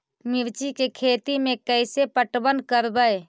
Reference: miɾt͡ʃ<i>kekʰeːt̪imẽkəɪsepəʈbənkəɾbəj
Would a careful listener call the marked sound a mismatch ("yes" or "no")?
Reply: no